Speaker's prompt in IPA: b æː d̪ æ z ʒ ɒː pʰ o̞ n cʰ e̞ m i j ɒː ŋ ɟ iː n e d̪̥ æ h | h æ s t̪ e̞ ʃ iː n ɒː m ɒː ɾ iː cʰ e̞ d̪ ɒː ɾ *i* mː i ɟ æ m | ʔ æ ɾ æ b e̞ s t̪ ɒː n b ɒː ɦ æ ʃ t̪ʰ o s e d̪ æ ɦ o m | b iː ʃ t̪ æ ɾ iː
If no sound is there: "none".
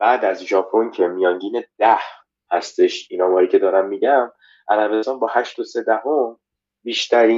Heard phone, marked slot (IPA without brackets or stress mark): æ